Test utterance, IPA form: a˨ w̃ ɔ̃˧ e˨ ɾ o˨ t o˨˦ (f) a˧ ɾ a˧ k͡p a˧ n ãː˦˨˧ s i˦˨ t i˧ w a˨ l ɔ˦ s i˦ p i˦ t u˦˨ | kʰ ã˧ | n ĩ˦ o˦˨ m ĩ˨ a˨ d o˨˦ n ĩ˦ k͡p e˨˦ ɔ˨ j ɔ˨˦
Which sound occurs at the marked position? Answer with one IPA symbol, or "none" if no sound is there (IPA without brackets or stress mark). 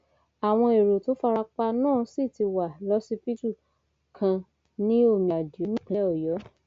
f